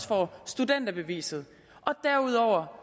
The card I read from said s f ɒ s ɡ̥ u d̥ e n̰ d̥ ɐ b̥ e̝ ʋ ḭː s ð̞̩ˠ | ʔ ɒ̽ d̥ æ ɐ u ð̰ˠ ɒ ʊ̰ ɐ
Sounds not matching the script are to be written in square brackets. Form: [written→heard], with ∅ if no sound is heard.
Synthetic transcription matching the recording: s f ɒ s [ɡ̥→d̥] u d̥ e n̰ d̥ ɐ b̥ e̝ ʋ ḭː s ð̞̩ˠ | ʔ ɒ̽ d̥ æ ɐ u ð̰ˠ ɒ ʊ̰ ɐ